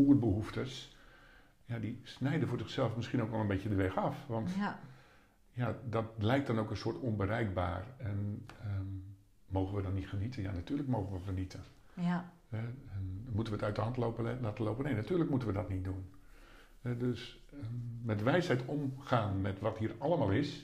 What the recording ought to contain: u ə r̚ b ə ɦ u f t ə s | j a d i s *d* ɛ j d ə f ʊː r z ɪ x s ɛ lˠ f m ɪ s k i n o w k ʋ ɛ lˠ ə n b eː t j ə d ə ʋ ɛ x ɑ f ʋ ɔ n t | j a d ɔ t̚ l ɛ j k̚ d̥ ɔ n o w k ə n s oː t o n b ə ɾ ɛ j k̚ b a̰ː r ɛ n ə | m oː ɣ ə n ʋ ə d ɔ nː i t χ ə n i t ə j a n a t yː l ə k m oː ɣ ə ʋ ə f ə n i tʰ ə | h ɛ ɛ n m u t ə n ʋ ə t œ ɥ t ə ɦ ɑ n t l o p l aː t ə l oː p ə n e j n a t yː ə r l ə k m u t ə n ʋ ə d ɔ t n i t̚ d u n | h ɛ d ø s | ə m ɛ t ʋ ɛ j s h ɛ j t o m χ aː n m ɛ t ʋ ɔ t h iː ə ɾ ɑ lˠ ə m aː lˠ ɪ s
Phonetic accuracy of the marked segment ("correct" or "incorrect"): incorrect